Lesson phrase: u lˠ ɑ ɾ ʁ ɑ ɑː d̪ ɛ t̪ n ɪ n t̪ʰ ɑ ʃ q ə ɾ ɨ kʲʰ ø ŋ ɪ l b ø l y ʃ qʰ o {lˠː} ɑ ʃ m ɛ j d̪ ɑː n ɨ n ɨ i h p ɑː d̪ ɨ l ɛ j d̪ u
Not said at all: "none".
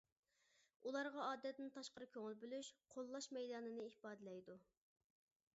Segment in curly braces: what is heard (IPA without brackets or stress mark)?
lˠː